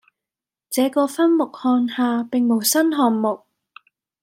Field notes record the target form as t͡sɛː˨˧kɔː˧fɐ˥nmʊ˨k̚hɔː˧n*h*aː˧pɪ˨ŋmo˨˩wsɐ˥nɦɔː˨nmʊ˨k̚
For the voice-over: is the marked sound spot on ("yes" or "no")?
yes